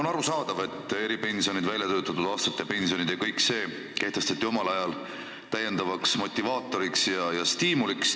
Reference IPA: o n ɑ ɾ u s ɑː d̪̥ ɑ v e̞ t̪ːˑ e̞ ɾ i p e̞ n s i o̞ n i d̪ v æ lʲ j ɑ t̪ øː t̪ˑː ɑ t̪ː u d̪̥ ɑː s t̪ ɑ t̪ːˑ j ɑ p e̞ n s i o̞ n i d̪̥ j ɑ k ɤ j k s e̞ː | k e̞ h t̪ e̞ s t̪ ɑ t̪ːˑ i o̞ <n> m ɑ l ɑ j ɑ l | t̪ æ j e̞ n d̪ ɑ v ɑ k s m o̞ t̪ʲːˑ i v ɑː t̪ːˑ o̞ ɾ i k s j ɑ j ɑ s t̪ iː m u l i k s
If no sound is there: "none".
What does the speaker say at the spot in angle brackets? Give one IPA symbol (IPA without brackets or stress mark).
none